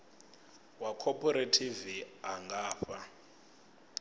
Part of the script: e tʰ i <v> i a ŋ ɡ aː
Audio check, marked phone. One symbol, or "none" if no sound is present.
v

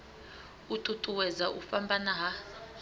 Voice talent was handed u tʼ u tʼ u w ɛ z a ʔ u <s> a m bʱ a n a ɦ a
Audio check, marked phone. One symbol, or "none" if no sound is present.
f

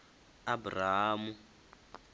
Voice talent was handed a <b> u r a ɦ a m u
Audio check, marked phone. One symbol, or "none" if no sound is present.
b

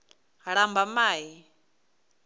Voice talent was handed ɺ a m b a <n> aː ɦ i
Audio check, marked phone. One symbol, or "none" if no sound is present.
m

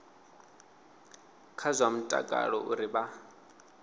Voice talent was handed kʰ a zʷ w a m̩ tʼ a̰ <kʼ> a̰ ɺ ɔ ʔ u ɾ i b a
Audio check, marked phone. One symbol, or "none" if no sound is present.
kʼ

